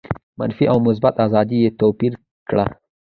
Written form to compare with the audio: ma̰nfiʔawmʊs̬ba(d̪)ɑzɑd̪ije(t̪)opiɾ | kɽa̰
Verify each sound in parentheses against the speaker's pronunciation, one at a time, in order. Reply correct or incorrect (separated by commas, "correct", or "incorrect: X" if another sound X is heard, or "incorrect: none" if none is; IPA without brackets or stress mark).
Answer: incorrect: t̪, correct